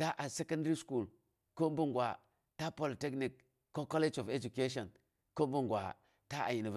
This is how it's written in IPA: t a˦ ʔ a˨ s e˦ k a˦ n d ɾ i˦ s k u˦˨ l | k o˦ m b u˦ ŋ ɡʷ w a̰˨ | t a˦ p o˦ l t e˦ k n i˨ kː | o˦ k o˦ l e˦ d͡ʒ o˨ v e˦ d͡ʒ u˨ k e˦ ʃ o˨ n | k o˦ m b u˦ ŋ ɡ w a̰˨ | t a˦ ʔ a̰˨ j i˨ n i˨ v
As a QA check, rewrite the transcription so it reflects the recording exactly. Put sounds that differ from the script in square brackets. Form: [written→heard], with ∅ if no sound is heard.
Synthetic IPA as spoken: t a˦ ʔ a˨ s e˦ k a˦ n d ɾ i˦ s k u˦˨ l | k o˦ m b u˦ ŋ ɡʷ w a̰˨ | t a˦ p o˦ l t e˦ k n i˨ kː | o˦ k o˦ l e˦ d͡ʒ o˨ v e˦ d͡ʒ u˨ k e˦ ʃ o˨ n | k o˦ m b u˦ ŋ ɡ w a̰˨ | t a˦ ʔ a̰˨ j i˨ n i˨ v